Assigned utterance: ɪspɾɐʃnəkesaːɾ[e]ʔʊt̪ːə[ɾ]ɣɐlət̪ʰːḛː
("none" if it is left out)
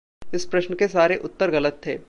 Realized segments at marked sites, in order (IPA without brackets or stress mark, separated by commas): e, ɾ